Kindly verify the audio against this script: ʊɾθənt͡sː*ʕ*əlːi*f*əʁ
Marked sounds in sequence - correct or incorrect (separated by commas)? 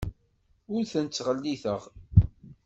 incorrect, incorrect